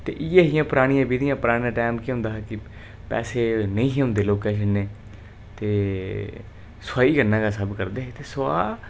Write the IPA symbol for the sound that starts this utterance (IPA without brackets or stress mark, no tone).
t̪